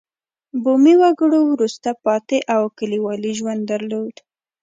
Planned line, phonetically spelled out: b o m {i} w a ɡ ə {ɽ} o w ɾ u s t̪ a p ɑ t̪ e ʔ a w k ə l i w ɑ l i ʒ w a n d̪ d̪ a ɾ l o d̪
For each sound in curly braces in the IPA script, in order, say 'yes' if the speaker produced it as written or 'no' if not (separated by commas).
yes, yes